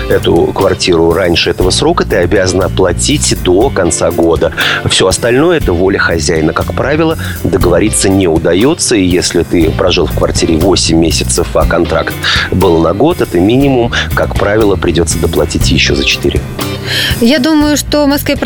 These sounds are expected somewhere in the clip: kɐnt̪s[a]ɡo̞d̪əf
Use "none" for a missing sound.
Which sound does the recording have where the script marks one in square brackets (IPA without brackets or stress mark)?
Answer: a